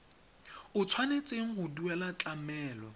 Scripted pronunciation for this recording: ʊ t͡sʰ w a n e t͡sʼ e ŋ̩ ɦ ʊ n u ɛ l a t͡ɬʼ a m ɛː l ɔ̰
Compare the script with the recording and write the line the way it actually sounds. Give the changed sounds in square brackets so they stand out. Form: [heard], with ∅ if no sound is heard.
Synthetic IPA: ʊ t͡sʰ w a n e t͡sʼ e ŋ̩ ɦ ʊ [d] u ɛ l a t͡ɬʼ a m ɛː l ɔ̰